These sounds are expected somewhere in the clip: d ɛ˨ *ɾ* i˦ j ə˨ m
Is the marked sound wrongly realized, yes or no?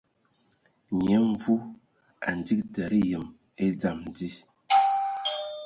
no